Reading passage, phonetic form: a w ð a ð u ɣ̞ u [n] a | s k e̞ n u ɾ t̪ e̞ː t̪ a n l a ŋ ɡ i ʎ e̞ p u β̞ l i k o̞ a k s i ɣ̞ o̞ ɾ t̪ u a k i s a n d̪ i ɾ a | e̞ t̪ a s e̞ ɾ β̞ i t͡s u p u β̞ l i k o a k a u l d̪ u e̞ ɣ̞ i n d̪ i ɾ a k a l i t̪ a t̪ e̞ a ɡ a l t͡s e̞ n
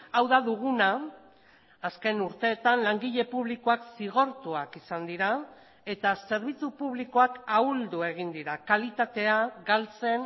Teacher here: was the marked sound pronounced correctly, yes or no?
yes